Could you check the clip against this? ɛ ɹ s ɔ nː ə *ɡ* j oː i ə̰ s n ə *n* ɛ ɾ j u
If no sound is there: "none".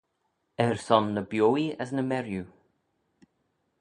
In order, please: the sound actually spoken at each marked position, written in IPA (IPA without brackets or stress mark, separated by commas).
b, m